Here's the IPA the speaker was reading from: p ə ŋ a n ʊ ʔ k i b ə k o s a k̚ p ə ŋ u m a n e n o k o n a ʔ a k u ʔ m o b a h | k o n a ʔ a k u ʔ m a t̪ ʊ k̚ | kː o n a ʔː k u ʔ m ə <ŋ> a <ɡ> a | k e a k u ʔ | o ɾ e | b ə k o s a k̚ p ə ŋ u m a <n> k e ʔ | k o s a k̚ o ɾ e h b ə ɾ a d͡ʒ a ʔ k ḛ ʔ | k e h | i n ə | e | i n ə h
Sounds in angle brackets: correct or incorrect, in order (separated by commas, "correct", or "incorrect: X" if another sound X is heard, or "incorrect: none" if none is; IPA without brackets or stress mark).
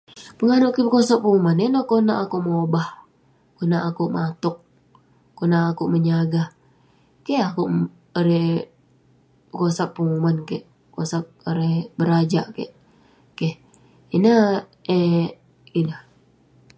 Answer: incorrect: ɲ, correct, correct